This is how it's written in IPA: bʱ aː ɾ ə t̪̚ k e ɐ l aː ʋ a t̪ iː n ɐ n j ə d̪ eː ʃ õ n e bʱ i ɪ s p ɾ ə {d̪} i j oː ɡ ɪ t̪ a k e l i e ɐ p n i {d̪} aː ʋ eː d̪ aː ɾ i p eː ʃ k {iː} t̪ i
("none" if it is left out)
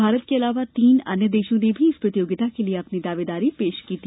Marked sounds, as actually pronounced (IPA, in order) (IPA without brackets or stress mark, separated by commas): t̪, d̪, iː